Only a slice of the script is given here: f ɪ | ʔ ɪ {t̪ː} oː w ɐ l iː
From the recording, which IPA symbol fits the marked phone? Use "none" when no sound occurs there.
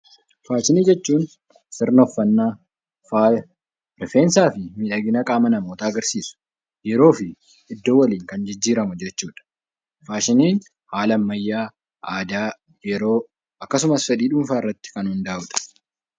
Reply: d̪ː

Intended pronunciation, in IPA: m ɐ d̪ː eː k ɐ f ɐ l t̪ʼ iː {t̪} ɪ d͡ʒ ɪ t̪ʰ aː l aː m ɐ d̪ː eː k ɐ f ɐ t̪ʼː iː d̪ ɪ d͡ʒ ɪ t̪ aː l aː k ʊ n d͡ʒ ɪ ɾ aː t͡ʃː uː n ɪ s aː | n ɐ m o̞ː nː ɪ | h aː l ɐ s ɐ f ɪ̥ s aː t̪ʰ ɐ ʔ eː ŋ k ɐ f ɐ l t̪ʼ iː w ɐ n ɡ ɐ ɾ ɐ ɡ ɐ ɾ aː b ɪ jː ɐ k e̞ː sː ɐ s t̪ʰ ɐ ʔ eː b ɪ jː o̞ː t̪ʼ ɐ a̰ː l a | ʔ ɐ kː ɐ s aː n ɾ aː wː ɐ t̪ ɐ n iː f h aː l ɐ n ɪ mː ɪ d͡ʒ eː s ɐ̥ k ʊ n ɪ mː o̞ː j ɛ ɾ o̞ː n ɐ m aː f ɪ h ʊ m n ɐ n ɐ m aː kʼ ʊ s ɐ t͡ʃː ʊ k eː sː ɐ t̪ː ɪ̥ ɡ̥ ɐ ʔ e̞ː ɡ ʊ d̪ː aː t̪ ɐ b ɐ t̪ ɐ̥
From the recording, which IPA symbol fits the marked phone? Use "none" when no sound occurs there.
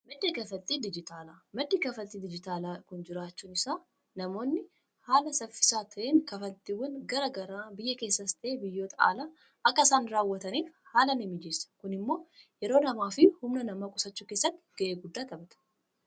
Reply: d̪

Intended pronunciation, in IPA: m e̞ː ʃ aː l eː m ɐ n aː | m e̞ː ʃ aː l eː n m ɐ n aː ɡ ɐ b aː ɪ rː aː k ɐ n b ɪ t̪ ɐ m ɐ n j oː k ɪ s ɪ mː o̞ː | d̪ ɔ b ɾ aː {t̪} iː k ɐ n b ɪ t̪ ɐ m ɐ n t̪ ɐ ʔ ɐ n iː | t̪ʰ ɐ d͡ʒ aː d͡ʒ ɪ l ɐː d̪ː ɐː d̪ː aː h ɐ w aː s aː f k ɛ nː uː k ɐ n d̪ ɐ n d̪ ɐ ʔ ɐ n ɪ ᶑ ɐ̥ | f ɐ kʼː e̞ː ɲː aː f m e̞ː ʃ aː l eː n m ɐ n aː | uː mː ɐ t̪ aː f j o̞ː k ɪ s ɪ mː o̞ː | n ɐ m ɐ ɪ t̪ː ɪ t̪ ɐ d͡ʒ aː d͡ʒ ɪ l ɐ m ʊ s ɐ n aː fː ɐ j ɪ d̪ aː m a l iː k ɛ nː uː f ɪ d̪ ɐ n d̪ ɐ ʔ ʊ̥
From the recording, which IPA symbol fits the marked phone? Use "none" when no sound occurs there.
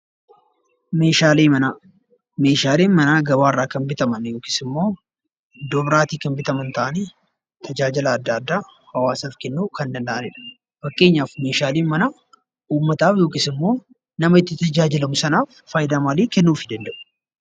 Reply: t̪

